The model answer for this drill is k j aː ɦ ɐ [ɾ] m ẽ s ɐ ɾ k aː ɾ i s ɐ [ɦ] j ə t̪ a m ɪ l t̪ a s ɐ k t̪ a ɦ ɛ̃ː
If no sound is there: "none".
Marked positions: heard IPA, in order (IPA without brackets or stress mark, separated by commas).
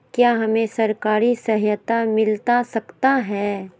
none, ɦ